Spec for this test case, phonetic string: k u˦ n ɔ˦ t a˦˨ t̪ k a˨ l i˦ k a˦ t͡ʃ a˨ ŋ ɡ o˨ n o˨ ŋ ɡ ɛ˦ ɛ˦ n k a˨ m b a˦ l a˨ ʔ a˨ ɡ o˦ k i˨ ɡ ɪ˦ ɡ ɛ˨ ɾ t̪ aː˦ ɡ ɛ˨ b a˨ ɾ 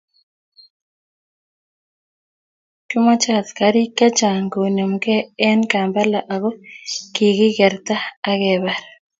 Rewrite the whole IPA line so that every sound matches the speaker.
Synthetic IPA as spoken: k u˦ m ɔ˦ t͡ʃ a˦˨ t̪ k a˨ ɾ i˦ k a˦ t͡ʃ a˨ ŋ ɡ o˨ n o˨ m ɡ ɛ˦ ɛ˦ n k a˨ m b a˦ l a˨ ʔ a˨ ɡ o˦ k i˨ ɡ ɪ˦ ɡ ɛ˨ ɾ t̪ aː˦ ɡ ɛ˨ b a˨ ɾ